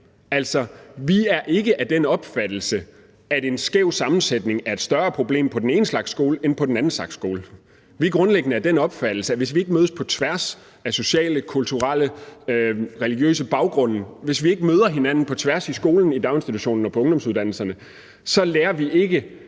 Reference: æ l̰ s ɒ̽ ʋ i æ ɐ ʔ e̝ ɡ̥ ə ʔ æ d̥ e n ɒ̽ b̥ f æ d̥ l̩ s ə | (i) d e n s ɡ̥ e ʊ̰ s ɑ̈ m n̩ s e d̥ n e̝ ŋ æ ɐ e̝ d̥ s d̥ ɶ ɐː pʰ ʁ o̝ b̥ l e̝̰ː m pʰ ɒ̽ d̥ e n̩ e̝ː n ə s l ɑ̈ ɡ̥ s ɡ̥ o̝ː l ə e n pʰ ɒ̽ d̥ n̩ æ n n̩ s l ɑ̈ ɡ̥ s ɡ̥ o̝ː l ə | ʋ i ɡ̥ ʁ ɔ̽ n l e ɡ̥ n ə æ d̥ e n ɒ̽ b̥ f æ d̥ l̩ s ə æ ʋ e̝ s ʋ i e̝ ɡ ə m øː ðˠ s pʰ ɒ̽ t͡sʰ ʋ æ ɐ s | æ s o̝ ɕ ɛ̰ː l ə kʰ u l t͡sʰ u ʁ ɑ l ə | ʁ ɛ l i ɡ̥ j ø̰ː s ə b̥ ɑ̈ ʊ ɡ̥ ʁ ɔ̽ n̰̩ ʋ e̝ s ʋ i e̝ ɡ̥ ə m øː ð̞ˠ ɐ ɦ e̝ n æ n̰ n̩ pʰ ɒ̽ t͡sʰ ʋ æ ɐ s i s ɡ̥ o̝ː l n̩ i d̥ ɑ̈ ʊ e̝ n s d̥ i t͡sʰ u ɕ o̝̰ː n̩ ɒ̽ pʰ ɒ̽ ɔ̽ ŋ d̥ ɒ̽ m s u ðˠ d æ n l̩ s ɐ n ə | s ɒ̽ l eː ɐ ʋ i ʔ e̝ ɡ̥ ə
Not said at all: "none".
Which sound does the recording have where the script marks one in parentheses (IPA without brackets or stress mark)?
æ